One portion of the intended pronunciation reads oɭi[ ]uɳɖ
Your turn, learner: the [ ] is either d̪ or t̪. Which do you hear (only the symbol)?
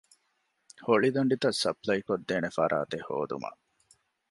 d̪